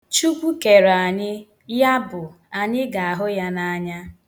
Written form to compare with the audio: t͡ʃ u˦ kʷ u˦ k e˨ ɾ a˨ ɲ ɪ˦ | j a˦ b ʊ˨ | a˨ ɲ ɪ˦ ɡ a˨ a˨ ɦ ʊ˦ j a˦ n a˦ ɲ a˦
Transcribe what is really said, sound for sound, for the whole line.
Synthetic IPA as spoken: t͡ʃ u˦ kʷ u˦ k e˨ ɾ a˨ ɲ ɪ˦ | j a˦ b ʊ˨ | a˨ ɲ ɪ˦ ɡ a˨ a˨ ɦ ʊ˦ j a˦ n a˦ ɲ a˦